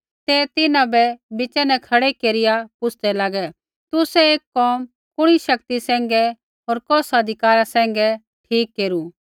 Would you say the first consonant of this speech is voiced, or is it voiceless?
voiceless